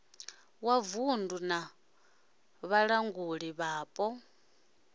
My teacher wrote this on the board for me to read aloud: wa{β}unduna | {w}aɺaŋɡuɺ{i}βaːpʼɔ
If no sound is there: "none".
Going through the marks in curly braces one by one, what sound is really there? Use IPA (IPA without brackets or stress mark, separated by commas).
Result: v, β, i